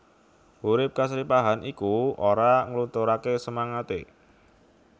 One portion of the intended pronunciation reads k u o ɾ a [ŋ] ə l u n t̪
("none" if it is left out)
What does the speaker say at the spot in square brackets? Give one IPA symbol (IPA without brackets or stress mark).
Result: ŋ